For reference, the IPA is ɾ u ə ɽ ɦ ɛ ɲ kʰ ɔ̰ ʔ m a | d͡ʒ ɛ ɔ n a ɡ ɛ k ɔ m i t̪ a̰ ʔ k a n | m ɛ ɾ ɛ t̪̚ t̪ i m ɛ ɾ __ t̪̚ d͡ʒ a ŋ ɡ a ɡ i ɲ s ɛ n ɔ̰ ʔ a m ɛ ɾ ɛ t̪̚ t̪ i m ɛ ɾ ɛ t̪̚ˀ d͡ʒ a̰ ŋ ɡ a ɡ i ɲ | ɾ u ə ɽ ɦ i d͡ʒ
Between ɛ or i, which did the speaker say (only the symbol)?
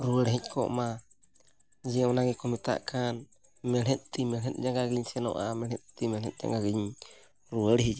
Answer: ɛ